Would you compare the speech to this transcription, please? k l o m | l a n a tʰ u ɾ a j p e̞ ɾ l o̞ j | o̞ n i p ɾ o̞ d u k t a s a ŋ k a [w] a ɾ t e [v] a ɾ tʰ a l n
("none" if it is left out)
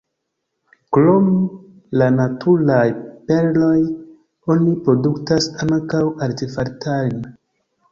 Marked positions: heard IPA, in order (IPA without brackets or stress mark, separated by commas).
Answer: w, f